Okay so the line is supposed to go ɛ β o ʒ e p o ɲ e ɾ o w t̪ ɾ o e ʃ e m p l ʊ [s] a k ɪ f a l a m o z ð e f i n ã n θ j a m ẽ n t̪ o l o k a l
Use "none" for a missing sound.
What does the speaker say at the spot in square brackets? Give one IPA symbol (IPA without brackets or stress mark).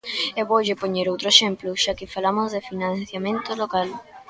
ʃ